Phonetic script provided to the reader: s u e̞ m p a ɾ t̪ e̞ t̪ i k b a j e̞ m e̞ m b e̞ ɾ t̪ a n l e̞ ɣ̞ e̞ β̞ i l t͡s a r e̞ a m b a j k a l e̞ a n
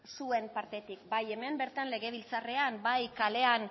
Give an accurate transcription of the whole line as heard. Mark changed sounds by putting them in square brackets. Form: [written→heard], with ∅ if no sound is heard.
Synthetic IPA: s u e̞ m p a ɾ t̪ e̞ t̪ i k b a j e̞ m e̞ m b e̞ ɾ t̪ a n l e̞ ɣ̞ e̞ β̞ i l t͡s a r e̞ a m b a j k a l e̞ a n